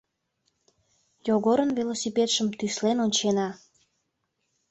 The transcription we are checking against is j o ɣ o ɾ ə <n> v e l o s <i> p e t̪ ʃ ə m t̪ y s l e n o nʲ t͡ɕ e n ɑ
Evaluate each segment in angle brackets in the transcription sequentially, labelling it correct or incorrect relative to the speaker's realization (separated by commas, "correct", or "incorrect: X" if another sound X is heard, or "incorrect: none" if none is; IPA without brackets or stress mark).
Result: correct, correct